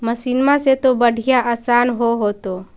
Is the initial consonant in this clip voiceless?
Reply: no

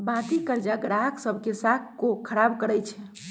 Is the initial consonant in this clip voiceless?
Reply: no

